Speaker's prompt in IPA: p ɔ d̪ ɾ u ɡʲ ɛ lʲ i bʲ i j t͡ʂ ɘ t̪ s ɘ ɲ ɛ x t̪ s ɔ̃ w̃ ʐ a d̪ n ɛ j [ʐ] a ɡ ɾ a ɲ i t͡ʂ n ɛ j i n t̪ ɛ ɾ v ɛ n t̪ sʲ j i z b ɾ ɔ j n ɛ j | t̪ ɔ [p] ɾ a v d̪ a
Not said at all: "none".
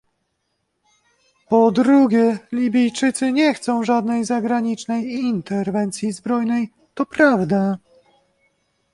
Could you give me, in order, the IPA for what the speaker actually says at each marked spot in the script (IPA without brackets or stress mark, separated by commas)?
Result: z, p